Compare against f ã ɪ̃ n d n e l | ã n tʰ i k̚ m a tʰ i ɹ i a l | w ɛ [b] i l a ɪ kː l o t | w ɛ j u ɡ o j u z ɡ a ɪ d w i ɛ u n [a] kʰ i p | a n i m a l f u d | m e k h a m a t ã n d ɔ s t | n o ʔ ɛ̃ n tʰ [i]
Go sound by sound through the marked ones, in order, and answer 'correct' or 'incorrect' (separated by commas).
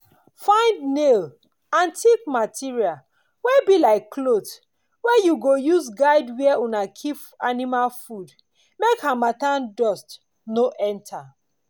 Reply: correct, correct, incorrect